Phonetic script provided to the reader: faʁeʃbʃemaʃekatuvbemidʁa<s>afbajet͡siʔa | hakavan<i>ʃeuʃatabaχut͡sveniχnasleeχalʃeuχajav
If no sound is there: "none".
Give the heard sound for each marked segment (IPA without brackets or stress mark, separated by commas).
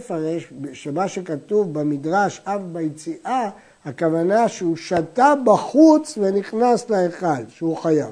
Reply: ʃ, a